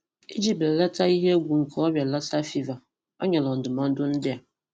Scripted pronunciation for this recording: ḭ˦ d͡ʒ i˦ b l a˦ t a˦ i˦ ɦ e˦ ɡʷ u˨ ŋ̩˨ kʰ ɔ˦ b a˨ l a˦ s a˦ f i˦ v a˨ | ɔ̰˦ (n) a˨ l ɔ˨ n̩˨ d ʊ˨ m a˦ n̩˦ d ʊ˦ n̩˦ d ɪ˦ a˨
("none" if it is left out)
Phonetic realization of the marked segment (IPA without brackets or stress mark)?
ɲ